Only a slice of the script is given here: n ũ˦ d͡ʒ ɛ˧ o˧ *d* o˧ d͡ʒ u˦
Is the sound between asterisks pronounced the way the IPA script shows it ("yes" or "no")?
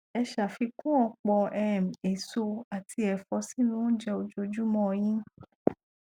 no